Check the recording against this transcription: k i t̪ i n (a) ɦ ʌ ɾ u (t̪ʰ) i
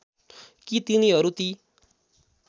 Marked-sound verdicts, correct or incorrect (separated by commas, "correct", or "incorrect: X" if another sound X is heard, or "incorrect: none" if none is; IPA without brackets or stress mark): incorrect: i, incorrect: t̪